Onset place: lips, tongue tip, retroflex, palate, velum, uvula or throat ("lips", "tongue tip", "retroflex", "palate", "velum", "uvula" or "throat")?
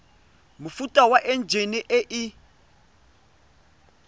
lips